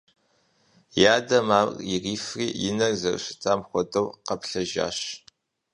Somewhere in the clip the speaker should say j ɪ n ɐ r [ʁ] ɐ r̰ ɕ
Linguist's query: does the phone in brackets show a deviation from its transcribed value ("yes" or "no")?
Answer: yes